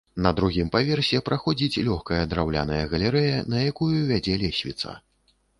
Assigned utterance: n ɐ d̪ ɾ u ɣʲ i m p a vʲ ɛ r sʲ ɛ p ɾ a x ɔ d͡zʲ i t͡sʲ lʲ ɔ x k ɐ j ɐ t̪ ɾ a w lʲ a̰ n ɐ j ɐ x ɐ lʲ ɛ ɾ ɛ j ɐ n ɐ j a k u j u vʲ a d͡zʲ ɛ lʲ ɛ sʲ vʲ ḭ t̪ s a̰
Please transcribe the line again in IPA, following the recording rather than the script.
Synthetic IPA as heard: n ɐ d̪ ɾ u ɣʲ i m p a vʲ ɛ r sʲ ɛ p ɾ a x ɔ d͡zʲ i t͡sʲ lʲ ɔ x k ɐ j ɐ d̪ ɾ a w lʲ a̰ n ɐ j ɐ ɣ ɐ lʲ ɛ ɾ ɛ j ɐ n ɐ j a k u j u vʲ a d͡zʲ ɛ lʲ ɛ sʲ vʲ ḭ t̪ s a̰

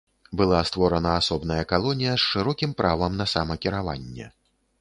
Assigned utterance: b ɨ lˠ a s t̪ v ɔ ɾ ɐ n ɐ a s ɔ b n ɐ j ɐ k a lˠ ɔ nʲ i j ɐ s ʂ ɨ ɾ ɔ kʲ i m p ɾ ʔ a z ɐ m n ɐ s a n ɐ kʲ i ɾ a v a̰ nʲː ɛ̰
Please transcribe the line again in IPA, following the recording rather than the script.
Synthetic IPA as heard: b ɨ lˠ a s t̪ v ɔ ɾ ɐ n ɐ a s ɔ b n ɐ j ɐ k a lˠ ɔ nʲ i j ɐ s ʂ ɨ ɾ ɔ kʲ i m p ɾ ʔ a v ɐ m n ɐ s a m ɐ kʲ i ɾ a v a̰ nʲː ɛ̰

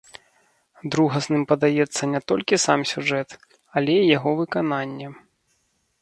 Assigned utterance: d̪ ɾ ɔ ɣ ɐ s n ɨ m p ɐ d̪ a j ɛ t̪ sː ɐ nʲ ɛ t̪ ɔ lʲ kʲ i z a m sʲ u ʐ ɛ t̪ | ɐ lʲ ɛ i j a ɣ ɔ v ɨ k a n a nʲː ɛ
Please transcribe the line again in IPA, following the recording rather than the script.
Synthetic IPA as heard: d̪ ɾ u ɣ ɐ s n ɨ m p ɐ d̪ a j ɛ t̪ sː ɐ nʲ ɛ t̪ ɔ lʲ kʲ i s a m sʲ u ʐ ɛ t̪ | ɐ lʲ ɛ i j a ɣ ɔ v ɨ k a n a nʲː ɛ

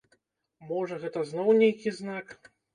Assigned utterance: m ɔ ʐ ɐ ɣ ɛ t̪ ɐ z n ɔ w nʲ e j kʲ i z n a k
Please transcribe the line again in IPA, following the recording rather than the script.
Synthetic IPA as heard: m ɔ ʐ ɐ ɣ ɛ t̪ ɐ z n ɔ w nʲ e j kʲ i z n a k

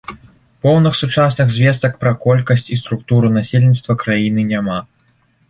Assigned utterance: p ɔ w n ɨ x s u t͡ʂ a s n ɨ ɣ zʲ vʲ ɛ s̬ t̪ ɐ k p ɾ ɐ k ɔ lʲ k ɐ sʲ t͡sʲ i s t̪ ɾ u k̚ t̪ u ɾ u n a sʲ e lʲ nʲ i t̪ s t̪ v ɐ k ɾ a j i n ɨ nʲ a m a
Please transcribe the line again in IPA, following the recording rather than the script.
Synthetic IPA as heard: p ɔ w n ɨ x s u t͡ʂ a s n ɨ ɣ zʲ vʲ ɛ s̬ t̪ ɐ k p ɾ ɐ k ɔ lʲ k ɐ sʲ t͡sʲ i s t̪ ɾ u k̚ t̪ u ɾ u n a sʲ e lʲ nʲ i t̪ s t̪ v ɐ k ɾ a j i n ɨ nʲ a m a

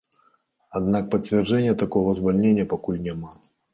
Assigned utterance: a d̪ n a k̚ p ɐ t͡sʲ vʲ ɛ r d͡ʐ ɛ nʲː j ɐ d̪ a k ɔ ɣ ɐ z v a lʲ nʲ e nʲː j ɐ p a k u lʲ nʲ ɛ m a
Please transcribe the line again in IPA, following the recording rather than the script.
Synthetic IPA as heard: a d̪ n a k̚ p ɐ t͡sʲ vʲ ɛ r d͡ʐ ɛ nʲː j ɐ t̪ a k ɔ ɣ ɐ z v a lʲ nʲ e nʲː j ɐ p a k u lʲ nʲ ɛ m a

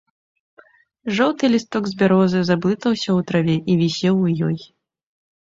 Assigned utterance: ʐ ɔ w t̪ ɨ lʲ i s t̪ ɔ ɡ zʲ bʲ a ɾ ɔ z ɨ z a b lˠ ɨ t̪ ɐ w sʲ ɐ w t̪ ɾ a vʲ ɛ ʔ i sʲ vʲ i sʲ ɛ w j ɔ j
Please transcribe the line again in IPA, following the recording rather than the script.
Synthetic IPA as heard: ʐ ɔ w t̪ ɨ lʲ i s t̪ ɔ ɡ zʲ bʲ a ɾ ɔ z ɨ z a b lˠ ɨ t̪ ɐ w sʲ ɐ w t̪ ɾ a vʲ ɛ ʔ i vʲ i sʲ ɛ w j ɔ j

